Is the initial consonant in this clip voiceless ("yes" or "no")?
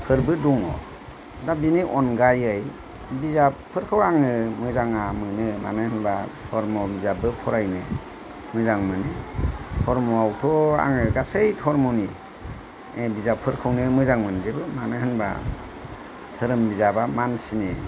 yes